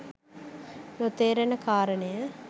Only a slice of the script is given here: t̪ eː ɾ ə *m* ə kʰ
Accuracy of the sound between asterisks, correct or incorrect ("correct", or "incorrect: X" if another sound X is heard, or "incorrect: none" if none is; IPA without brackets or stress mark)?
incorrect: n